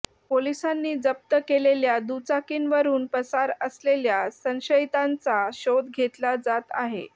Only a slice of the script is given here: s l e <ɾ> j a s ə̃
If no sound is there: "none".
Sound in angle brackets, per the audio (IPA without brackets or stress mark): l